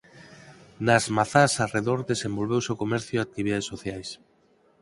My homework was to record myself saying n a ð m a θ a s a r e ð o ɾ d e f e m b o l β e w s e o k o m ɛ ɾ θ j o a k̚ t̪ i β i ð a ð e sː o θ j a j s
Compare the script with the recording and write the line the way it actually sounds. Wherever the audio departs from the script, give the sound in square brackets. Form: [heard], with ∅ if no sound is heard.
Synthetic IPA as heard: n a [z] m a θ a s a r e ð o ɾ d e [s] e m b o l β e w s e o k o m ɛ ɾ θ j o a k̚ t̪ i β i ð a ð e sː o θ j a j s